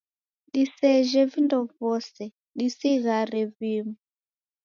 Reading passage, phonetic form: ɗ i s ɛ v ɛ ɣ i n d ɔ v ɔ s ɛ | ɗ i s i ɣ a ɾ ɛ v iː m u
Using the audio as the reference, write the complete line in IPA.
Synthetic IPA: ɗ i s ɛ ʒ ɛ v i n d ɔ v ɔ s ɛ | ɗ i s i ɣ a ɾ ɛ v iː m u